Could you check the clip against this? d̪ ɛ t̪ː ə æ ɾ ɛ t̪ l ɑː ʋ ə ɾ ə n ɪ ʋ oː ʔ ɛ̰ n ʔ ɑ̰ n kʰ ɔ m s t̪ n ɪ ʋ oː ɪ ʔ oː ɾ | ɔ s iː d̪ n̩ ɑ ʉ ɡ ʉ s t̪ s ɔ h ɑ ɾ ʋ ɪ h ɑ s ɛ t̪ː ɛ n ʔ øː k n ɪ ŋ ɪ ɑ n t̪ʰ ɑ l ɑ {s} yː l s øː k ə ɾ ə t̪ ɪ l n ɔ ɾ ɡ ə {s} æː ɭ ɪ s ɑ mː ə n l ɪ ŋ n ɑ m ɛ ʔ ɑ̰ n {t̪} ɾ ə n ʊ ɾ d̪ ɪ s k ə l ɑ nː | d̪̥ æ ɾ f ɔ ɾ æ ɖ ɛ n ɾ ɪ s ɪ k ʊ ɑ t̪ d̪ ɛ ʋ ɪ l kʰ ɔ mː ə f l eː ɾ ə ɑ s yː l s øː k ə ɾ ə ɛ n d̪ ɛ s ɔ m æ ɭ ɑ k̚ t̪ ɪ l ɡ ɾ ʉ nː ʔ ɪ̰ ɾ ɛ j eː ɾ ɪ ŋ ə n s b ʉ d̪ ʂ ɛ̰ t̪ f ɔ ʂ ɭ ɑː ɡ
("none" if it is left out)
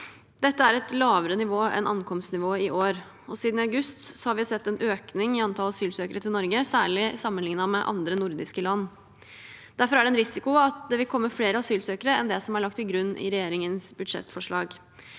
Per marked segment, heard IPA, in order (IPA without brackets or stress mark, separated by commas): s, s, d̪